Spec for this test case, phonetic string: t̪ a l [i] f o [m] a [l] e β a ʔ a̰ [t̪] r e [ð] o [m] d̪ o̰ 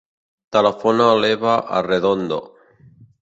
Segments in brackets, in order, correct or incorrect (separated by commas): incorrect, incorrect, correct, incorrect, correct, incorrect